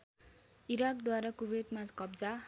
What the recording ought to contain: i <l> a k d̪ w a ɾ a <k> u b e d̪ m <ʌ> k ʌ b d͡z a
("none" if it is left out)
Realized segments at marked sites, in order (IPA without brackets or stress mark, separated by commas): ɾ, k, a